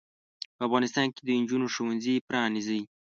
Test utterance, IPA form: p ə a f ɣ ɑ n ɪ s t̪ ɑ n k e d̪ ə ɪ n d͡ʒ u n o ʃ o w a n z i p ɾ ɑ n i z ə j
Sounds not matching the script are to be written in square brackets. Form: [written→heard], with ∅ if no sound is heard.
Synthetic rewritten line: p ə a f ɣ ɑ n ɪ s t̪ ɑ n k e d̪ ə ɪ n d͡ʒ u n o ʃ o w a n z i p ɾ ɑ n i z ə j